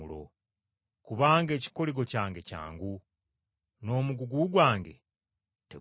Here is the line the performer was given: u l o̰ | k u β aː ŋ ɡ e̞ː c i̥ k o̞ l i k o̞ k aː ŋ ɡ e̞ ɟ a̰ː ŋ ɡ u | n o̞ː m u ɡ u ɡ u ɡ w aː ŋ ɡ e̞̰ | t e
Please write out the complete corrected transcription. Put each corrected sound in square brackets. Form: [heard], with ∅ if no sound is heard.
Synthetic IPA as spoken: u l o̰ | k u β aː ŋ ɡ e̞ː c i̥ k o̞ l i [ɡ] o̞ [c] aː ŋ ɡ e̞ [c] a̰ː ŋ ɡ u | n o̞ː m u ɡ u ɡ u ɡ w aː ŋ ɡ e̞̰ | t e

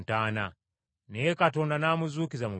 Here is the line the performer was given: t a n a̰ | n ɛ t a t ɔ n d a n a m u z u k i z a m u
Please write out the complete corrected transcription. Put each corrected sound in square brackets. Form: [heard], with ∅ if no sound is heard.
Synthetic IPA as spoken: t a n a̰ | n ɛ [k] a t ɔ n d a n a m u z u k i z a m u

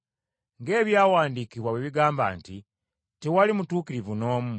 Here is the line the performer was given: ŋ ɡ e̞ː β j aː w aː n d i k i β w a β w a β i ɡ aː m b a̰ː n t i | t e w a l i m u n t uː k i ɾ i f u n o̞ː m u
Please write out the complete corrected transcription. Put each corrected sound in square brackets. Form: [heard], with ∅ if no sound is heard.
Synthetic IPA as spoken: ŋ ɡ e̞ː β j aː w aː n d i k i β w a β w [e] β i ɡ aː m b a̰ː n t i | t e w a l i m u [∅] t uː k i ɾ i [v] u n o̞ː m u

